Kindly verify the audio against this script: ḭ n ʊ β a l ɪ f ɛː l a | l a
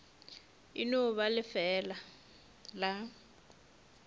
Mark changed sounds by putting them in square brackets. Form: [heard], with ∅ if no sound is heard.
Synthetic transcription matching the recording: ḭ n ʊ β a l ɪ f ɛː l a | l a